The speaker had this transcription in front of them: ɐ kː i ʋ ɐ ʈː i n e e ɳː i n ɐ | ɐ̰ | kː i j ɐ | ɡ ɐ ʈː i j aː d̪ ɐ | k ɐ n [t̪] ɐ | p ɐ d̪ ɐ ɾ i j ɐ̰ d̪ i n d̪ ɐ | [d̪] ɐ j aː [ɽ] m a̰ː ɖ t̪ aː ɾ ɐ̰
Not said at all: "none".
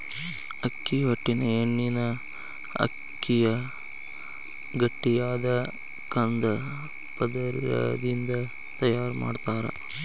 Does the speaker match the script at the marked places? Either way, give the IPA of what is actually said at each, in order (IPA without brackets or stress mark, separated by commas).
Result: d̪, t̪, ɾ